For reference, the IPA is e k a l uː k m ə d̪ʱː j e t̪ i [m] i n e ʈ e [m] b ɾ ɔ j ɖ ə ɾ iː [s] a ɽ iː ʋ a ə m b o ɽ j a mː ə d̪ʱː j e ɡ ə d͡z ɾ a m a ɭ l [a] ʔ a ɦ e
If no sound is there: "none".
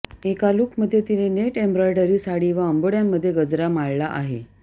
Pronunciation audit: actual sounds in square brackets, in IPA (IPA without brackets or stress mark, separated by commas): n, m, s, a